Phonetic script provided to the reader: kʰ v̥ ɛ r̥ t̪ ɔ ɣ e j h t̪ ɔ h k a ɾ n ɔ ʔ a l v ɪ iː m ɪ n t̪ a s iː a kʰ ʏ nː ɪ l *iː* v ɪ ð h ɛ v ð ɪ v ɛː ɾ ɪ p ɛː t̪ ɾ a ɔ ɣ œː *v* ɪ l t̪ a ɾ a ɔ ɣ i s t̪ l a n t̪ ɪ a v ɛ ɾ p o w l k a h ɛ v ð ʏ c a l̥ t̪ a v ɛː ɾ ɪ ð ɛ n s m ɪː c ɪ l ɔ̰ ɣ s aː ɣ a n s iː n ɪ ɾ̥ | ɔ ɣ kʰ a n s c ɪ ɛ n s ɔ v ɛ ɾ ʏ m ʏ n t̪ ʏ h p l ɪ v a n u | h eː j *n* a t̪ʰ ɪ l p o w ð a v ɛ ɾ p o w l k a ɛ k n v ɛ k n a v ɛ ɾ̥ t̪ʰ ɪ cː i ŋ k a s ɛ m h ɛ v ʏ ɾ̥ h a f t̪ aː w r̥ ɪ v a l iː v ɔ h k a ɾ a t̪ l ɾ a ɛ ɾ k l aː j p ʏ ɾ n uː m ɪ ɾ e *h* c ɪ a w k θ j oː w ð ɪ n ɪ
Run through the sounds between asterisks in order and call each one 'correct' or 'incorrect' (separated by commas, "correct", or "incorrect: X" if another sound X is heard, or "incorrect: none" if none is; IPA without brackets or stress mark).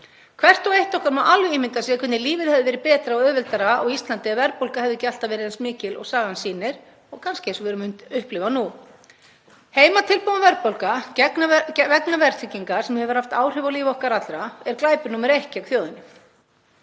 correct, correct, incorrect: m, correct